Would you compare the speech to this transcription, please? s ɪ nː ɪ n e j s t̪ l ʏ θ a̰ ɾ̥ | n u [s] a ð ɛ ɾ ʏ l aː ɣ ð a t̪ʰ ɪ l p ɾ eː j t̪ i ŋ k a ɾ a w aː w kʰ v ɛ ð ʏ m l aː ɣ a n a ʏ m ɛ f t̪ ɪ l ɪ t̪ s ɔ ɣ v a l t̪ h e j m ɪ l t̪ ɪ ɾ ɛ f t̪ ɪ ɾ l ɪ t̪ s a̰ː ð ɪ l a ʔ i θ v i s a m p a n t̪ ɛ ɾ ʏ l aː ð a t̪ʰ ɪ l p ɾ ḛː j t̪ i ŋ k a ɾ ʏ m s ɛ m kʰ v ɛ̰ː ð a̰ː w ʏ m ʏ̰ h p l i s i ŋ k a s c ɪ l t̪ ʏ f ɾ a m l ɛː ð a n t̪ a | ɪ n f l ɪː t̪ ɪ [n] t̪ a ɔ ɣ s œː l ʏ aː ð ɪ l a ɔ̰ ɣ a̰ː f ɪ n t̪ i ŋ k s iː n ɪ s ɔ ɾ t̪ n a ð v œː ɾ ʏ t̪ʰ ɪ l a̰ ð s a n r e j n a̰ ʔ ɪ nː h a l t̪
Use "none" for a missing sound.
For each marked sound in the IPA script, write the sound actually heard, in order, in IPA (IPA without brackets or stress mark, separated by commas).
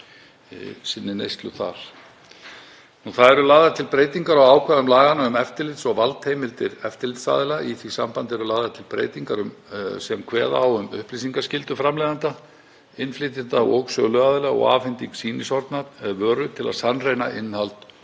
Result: θ, n